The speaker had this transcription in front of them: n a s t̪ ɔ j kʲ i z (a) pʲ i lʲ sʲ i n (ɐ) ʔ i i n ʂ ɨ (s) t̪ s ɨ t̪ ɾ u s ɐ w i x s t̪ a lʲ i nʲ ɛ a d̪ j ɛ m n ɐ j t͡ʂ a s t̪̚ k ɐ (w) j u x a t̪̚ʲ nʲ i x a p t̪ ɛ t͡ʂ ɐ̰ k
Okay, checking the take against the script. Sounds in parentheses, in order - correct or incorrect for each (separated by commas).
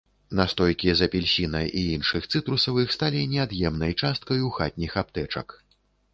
incorrect, correct, incorrect, incorrect